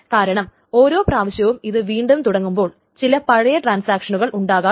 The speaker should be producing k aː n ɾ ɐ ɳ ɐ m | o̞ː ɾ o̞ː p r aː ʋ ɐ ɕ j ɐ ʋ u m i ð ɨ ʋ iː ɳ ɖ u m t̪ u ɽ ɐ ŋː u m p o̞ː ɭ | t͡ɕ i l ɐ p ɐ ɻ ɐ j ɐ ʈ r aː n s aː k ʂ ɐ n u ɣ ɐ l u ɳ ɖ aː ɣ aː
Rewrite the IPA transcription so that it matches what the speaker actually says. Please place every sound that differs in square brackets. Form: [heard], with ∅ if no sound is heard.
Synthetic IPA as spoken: k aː [∅] ɾ ɐ ɳ ɐ m | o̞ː ɾ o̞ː p r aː ʋ ɐ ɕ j ɐ ʋ u m i ð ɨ ʋ iː ɳ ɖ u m t̪ u ɽ ɐ ŋː u m [b] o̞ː ɭ | t͡ɕ i l ɐ p ɐ ɻ ɐ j ɐ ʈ r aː n s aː k ʂ ɐ n u ɣ ɐ [ɭ] u ɳ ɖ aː ɣ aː